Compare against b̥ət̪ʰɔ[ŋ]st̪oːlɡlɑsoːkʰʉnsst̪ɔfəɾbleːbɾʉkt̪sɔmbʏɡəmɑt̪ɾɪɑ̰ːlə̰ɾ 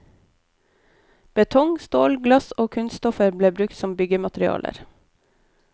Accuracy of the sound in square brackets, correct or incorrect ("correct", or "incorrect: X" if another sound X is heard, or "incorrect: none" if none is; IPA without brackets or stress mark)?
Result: correct